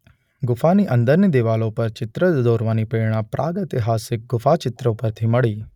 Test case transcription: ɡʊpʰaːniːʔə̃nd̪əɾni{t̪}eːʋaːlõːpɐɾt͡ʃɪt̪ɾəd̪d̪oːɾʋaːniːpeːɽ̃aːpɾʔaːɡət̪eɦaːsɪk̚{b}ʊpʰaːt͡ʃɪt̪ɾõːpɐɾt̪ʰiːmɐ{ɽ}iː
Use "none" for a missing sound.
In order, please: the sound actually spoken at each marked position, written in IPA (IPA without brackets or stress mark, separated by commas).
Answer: d̪, ɡ, ɽ